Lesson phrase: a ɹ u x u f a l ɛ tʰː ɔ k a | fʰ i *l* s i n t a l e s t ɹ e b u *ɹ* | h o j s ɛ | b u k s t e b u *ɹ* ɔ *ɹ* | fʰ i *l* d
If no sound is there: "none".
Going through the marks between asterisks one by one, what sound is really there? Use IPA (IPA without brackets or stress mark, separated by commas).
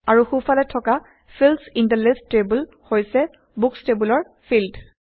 l, l, l, ɹ, l